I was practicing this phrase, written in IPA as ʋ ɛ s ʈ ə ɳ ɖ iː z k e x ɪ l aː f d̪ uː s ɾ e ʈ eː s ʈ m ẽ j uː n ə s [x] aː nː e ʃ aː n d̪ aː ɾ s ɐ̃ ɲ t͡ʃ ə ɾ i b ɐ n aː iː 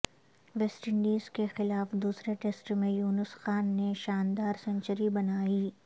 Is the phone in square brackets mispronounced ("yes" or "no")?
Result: no